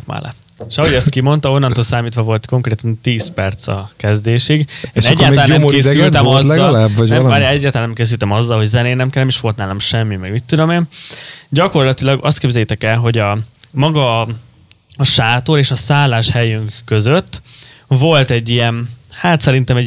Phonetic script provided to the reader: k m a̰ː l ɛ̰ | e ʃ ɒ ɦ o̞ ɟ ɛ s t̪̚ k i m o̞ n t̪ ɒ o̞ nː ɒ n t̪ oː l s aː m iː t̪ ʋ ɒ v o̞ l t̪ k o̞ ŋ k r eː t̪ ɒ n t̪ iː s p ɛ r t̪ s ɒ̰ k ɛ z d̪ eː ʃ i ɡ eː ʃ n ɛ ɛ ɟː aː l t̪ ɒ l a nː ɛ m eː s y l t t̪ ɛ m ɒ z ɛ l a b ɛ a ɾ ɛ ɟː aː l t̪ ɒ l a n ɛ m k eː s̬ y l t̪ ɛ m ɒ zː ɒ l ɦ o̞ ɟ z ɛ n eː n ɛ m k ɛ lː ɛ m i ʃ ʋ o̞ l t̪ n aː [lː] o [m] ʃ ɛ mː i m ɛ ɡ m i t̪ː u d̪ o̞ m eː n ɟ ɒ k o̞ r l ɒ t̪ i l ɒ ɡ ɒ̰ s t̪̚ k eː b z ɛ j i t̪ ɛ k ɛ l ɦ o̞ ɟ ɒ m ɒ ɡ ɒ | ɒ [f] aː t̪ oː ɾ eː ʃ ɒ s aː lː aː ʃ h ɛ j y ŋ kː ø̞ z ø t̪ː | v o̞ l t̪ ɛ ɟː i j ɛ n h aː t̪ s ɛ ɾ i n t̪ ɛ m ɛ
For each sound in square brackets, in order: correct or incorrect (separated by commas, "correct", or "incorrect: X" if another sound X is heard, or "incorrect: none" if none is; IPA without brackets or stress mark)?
incorrect: l, correct, incorrect: ʃ